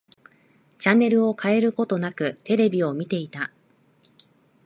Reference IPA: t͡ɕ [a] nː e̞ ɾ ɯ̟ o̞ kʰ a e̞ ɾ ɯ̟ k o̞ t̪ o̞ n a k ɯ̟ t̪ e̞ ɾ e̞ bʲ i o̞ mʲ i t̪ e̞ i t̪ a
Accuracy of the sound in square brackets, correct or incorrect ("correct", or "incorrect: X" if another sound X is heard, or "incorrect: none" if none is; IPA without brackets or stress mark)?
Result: correct